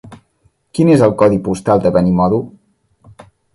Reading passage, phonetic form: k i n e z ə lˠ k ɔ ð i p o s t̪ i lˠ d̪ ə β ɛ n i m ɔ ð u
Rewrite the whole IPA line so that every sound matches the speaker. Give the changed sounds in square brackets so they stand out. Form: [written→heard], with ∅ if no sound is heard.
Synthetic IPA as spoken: k i n e z ə lˠ k ɔ ð i p [o→u] s t̪ [i→a] lˠ d̪ ə β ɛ n i m ɔ ð u